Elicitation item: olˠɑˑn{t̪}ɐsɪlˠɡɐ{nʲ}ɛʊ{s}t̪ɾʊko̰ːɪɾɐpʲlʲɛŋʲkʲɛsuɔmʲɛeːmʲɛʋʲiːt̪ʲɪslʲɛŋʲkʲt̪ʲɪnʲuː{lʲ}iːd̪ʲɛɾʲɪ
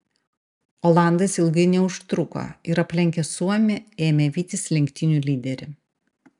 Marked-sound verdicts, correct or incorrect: incorrect: d̪, correct, incorrect: ʃ, correct

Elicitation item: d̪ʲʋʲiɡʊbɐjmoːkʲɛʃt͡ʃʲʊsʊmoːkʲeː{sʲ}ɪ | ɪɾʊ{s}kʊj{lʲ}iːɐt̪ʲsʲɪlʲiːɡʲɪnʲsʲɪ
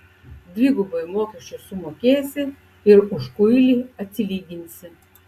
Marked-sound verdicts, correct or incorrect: correct, incorrect: ʃ, correct

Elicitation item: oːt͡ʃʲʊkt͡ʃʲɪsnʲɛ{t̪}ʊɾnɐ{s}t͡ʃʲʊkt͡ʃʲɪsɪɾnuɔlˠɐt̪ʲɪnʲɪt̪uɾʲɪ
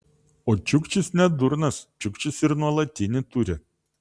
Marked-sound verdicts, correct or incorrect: incorrect: d̪, correct

